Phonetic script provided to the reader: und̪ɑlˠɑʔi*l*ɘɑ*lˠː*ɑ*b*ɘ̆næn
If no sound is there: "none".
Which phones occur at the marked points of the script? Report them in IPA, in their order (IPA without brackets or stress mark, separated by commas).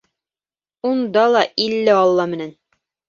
lː, lˠː, m